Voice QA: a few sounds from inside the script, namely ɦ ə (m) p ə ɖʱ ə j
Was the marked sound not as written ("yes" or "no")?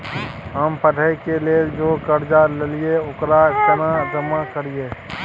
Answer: no